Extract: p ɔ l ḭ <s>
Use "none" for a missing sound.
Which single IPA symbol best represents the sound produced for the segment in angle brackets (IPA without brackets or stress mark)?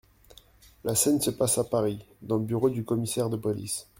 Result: s